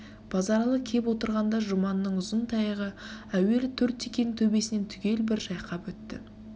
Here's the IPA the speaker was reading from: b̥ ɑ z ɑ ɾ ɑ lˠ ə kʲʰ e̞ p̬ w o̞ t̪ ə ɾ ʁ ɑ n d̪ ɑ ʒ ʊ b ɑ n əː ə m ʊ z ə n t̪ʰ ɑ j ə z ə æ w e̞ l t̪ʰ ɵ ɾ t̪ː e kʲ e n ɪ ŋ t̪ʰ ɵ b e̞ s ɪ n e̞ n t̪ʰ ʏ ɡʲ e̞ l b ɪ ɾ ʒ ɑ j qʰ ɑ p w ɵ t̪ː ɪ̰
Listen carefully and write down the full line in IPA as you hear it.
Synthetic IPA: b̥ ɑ z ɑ ɾ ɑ lˠ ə kʲʰ e̞ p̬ w o̞ t̪ ə ɾ ʁ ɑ n d̪ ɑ ʒ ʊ m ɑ n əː ə ɴ ʊ z ə n t̪ʰ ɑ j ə ʁ ə æ w e̞ l t̪ʰ ɵ ɾ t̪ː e kʲ e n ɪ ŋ t̪ʰ ɵ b e̞ s ɪ n e̞ n t̪ʰ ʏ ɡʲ e̞ l b ɪ ɾ ʒ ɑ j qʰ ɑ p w ɵ t̪ː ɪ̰